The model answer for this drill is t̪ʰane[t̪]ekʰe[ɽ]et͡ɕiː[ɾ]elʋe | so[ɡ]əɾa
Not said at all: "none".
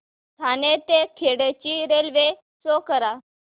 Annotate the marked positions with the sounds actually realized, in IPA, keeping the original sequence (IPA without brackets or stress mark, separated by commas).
t̪, ɽ, ɾ, k